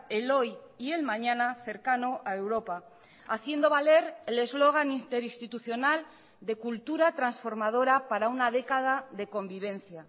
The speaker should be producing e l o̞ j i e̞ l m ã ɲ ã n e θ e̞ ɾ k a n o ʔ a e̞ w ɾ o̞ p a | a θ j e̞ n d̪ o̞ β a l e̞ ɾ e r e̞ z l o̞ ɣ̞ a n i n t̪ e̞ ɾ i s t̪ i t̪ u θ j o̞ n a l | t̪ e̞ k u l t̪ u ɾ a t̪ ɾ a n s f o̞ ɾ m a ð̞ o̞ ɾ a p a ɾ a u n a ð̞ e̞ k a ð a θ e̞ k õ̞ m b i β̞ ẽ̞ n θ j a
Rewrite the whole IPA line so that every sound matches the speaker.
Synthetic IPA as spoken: e l o̞ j i e̞ l m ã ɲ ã n a θ e̞ ɾ k a n o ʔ a e̞ w ɾ o̞ p a | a θ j e̞ n d̪ o̞ β a l e̞ ɾ e l e̞ z l o̞ ɣ̞ a n i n t̪ e̞ ɾ i s t̪ i t̪ u θ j o̞ n a l | d̪ e̞ k u l t̪ u ɾ a t̪ ɾ a n s f o̞ ɾ m a ð̞ o̞ ɾ a p a ɾ a u n a ð̞ e̞ k a ð a ð e̞ k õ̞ m b i β̞ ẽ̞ n θ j a